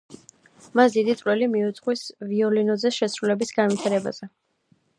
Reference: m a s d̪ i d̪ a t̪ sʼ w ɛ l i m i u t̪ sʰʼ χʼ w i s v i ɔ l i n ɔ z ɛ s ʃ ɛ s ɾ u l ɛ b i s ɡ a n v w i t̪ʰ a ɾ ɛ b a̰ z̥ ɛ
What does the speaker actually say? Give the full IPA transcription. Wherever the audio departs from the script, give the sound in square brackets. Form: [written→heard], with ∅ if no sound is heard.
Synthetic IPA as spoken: m a s d̪ i d̪ [a→i] t̪ sʼ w ɛ l i m i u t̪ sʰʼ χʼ w i s v i ɔ l i n ɔ z ɛ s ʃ ɛ s ɾ u l ɛ b i s ɡ a n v w i t̪ʰ a ɾ ɛ b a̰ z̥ ɛ